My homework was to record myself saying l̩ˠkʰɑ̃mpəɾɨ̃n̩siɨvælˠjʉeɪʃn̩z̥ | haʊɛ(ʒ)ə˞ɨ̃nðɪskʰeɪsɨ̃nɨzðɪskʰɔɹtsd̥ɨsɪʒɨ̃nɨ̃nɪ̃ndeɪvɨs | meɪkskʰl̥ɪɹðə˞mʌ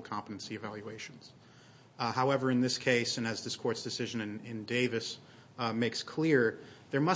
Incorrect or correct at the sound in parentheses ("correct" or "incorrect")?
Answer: incorrect